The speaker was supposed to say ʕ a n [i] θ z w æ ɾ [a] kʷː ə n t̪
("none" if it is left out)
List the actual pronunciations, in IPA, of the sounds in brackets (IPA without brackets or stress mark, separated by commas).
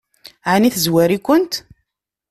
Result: i, i